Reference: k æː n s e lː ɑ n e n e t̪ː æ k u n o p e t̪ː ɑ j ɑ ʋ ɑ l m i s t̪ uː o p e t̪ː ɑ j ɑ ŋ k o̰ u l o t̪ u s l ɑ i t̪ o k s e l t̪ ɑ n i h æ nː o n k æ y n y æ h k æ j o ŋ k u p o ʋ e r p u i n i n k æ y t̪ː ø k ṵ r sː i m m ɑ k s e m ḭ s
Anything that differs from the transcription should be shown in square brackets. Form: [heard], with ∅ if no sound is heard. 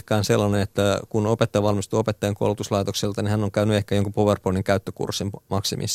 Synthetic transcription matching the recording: k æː n s e lː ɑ n e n e t̪ː æ k u n o p e t̪ː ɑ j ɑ ʋ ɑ l m i s t̪ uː o p e t̪ː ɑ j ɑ ŋ k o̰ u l [u] t̪ u s l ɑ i t̪ o k s e l t̪ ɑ n i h æ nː o [ŋ] k æ y n y [e] h k æ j o ŋ k u p o ʋ e r p [o] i n i [ŋ] k æ y t̪ː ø k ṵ r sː i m m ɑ k s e m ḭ s